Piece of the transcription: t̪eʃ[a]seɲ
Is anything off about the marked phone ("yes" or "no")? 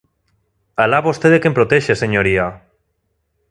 yes